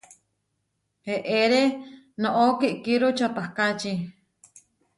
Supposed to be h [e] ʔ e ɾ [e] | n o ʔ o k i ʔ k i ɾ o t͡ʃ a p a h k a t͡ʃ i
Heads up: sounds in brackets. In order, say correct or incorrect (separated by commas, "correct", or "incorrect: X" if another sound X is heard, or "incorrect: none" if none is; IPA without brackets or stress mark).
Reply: correct, correct